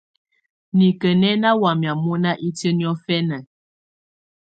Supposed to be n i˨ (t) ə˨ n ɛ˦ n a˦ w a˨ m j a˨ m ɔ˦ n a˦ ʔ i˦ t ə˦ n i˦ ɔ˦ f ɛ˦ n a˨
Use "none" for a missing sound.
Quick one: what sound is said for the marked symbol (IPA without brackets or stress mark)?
k